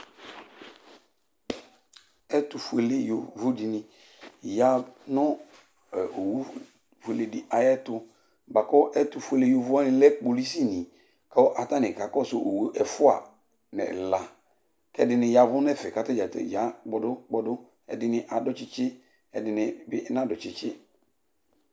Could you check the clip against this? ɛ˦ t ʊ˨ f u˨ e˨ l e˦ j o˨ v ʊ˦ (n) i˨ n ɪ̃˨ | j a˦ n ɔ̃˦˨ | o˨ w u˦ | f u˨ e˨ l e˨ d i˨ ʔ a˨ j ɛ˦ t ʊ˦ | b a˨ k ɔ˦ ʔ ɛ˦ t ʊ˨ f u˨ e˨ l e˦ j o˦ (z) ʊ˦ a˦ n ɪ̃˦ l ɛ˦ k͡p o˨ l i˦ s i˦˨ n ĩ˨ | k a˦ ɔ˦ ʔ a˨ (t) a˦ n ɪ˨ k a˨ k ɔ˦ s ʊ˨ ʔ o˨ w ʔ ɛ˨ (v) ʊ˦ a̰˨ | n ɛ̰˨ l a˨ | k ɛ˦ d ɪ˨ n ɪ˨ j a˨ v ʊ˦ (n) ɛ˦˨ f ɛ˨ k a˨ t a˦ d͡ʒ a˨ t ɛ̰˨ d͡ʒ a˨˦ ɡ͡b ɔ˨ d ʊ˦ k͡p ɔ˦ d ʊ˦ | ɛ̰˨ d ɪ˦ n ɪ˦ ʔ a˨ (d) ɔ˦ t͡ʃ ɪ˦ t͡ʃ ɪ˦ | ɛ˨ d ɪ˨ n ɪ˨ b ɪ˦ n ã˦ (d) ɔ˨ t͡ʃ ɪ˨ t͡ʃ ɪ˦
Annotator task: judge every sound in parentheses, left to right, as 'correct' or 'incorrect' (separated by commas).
incorrect, incorrect, correct, incorrect, correct, correct, correct